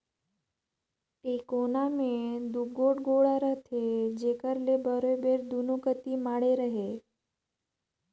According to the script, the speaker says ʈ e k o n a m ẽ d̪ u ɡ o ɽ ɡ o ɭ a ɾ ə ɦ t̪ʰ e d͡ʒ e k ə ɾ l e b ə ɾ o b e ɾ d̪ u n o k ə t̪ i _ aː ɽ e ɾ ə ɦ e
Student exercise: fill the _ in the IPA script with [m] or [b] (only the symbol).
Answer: m